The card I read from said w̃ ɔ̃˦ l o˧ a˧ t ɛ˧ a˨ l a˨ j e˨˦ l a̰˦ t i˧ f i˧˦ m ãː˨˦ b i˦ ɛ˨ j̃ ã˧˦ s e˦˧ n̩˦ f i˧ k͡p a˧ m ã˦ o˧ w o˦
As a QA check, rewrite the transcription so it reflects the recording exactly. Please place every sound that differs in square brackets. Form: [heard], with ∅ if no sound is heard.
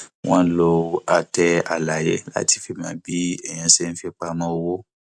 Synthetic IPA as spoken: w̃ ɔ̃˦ l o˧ a˧ t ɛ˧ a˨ l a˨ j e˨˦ l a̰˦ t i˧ f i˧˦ m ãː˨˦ b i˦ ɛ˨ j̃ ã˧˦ s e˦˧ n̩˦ f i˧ k͡p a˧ m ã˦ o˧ w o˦

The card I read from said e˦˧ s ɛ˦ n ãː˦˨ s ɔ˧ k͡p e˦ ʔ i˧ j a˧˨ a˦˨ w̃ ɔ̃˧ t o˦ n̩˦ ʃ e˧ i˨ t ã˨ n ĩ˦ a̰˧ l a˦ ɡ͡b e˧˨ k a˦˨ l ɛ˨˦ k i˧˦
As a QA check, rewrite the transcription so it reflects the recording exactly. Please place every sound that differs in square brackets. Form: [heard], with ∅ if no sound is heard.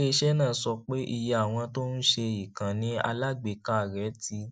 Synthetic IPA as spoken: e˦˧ [ʃ] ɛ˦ n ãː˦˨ s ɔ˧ k͡p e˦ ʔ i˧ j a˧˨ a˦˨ w̃ ɔ̃˧ t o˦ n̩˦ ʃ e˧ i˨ [k] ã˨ n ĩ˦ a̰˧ l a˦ ɡ͡b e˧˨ k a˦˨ [ɾ] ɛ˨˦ [t] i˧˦

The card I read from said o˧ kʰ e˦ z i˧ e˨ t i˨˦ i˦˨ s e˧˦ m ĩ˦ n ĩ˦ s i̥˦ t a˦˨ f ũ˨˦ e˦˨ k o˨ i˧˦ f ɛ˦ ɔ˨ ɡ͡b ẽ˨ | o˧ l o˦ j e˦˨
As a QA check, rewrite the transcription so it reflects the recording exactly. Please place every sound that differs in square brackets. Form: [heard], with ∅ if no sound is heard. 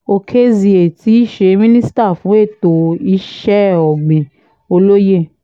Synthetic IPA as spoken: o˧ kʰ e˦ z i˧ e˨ t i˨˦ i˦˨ [ʃ] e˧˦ m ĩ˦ n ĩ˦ s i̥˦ t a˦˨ f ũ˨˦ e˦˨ [t] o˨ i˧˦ [ʃ] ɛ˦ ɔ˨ ɡ͡b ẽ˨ | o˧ l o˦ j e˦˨

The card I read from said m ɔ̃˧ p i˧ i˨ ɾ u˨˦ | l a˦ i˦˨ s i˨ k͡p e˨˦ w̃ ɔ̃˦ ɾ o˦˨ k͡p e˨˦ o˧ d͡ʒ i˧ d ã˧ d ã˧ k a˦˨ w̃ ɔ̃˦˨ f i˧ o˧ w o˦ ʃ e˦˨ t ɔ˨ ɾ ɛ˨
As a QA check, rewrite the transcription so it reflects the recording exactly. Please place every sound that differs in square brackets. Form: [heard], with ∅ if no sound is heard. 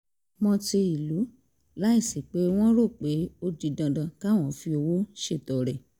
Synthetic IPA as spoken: m ɔ̃˧ [t] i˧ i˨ [l] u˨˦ | l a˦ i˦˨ s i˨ k͡p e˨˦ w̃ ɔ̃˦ ɾ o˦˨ k͡p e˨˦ o˧ d͡ʒ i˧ d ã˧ d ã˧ k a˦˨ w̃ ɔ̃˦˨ f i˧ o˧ w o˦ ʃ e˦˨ t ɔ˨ ɾ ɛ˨

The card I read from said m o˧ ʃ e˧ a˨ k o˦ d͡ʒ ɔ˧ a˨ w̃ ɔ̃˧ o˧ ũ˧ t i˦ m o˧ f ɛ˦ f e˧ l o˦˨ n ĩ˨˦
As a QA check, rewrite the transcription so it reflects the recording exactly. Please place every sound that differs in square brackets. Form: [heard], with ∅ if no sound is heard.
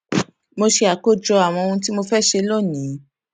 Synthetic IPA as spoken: m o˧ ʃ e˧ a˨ k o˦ d͡ʒ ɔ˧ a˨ w̃ ɔ̃˧ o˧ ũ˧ t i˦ m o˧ f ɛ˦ [ʃ] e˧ l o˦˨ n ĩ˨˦

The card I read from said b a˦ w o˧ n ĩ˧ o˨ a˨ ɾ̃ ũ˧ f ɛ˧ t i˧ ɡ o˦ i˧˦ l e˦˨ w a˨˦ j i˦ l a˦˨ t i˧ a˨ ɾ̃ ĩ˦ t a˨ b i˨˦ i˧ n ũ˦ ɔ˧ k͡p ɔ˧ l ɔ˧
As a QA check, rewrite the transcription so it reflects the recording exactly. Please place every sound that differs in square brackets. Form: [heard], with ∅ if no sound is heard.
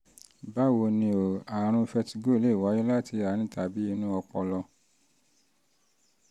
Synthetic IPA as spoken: b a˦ w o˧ n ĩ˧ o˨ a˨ ɾ̃ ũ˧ f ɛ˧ t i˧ ɡ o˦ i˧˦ l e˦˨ w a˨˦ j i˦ l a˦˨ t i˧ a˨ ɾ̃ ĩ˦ t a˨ b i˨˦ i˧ n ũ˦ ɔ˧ k͡p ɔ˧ l ɔ˧

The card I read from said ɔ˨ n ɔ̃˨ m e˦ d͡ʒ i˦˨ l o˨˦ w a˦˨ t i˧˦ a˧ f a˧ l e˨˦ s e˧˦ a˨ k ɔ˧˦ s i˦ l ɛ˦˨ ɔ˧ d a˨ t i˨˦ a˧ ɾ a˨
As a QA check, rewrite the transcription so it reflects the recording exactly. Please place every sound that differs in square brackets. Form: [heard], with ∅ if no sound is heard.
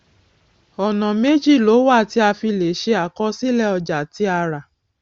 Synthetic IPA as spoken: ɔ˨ n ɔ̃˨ m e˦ d͡ʒ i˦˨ l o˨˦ w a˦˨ t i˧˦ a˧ f [i˧] l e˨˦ [ʃ] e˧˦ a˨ k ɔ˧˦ s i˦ l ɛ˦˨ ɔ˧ [d͡ʒ] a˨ t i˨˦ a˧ ɾ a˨

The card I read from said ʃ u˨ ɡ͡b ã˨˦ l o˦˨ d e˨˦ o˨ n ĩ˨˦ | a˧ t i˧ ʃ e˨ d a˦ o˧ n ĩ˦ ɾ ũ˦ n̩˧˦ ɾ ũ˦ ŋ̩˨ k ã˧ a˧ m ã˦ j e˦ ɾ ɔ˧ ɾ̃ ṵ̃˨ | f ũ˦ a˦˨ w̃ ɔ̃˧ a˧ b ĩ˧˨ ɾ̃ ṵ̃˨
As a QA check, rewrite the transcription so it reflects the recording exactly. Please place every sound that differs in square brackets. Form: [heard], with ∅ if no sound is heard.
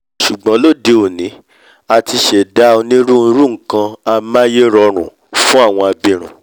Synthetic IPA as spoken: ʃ u˨ ɡ͡b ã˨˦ l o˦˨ d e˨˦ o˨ n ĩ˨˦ | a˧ t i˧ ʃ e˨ d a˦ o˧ n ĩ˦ ɾ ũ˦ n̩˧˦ ɾ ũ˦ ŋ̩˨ k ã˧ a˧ m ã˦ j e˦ ɾ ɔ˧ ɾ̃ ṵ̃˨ | f ũ˦ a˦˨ w̃ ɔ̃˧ a˧ b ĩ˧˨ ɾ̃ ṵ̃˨

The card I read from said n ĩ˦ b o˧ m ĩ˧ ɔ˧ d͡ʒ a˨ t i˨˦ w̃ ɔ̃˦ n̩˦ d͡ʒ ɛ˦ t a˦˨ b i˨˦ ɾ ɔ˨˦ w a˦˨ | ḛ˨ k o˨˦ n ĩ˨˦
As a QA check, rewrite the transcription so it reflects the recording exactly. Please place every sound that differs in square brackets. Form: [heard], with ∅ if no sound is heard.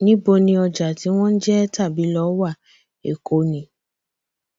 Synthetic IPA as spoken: n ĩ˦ b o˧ [n] ĩ˧ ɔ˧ d͡ʒ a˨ t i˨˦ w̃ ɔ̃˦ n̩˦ d͡ʒ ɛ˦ t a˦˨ b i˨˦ [l] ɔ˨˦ w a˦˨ | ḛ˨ k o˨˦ n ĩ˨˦

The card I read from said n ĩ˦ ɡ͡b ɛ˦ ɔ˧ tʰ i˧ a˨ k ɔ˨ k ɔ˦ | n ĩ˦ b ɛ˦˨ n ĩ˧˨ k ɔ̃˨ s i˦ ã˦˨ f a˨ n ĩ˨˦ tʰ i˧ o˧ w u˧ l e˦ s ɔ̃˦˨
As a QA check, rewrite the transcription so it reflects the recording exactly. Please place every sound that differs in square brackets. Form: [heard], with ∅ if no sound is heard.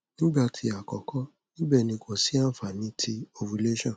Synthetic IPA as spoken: n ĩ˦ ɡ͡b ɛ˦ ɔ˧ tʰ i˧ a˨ k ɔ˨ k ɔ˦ | n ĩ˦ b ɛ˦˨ n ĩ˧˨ k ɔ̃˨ s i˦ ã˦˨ f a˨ n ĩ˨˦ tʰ i˧ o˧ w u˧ l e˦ [ʃ] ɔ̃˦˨

